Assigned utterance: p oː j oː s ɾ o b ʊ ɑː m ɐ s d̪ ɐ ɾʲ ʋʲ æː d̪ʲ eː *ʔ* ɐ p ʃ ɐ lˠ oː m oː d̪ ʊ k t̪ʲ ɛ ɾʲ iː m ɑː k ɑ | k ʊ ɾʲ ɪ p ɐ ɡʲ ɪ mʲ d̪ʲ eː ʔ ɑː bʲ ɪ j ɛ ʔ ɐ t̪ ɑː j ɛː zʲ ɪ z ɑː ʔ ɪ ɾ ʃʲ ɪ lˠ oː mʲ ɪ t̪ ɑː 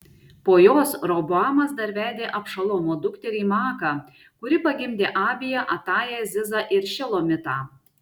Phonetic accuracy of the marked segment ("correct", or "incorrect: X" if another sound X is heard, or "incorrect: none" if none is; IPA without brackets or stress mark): correct